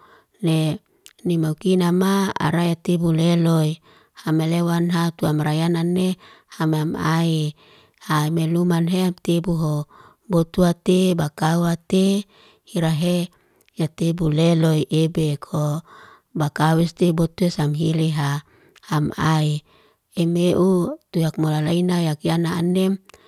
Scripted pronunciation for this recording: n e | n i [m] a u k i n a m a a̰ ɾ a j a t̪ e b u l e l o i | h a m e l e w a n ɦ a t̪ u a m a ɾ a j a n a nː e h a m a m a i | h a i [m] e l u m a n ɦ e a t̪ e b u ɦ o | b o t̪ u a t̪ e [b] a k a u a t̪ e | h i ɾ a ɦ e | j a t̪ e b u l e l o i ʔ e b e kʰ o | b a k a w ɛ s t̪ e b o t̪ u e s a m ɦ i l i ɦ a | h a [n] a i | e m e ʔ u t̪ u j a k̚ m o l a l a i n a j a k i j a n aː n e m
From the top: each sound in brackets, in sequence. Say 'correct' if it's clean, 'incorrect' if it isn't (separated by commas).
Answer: correct, correct, correct, incorrect